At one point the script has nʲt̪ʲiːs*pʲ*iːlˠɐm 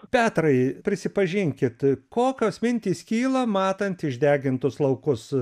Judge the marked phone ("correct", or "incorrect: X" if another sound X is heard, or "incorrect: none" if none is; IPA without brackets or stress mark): incorrect: kʲ